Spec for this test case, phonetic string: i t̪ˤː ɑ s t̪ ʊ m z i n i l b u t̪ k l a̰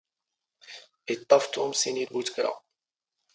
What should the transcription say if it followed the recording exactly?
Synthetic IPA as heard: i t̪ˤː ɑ f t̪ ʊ m s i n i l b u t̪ k ɾ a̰